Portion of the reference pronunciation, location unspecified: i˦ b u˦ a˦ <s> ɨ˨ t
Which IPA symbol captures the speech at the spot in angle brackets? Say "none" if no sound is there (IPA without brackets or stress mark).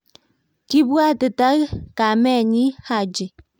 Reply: t